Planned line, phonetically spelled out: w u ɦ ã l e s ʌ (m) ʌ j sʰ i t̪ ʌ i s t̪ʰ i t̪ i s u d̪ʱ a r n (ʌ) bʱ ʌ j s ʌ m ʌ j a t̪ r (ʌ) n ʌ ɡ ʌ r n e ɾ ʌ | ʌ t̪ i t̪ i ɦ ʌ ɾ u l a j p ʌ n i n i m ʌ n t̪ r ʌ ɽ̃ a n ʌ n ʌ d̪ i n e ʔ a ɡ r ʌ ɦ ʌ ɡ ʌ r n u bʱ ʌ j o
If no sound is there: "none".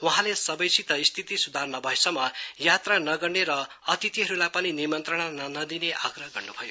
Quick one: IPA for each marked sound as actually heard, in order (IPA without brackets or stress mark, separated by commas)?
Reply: b, ʌ, a